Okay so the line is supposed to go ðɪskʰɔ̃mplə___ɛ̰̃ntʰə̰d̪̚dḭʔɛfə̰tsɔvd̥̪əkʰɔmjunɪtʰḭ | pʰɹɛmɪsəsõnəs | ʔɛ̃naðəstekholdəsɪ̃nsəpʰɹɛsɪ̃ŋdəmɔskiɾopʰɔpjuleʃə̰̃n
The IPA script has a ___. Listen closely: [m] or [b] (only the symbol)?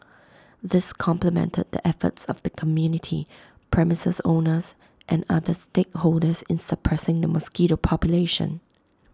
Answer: m